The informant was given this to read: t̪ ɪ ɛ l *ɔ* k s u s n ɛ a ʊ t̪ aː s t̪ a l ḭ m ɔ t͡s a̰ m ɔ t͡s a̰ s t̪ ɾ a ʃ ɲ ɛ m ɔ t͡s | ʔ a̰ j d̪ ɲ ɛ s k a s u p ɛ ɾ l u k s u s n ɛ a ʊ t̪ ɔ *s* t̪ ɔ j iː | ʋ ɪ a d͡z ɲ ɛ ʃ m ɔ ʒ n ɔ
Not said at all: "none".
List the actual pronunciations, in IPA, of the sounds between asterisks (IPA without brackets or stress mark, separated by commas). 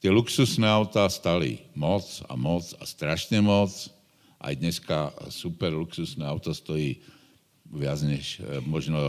u, s